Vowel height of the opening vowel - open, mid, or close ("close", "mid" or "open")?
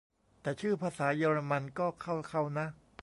mid